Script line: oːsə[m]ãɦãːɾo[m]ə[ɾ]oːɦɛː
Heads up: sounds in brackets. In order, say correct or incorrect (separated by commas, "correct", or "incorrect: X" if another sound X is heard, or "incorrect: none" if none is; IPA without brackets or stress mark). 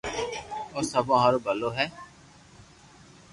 incorrect: b, incorrect: b, incorrect: l